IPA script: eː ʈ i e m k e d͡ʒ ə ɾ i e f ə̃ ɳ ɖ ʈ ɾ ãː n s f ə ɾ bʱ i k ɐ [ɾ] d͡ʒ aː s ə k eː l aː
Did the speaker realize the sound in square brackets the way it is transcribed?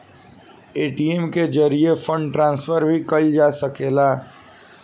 no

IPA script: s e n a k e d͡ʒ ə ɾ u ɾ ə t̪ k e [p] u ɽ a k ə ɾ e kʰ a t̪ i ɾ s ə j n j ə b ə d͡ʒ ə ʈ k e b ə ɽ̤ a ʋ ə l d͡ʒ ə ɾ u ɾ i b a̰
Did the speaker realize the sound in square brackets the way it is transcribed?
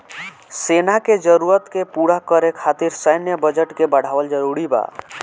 yes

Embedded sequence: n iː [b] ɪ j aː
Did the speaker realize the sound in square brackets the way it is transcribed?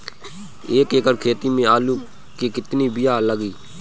yes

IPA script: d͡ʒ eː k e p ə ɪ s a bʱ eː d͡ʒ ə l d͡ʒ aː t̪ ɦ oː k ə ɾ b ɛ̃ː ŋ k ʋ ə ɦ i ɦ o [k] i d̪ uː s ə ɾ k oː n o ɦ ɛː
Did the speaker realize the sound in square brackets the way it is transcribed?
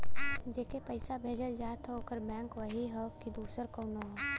yes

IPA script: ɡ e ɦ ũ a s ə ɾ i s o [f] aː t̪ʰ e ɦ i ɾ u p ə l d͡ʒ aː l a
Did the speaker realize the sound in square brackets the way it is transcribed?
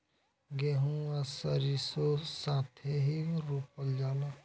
no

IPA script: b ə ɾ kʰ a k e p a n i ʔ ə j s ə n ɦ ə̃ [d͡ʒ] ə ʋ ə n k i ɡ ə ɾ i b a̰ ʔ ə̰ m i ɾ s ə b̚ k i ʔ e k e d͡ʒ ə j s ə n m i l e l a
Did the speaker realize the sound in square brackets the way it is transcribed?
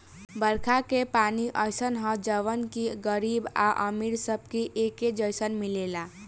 yes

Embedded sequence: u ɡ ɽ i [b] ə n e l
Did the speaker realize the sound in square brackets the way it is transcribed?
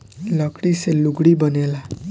yes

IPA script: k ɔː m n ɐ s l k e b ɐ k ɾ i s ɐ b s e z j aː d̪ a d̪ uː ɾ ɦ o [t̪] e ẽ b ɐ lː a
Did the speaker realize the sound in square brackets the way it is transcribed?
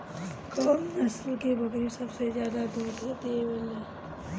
yes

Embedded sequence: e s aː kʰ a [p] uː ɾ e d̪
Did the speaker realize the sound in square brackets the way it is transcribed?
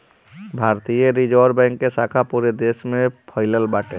yes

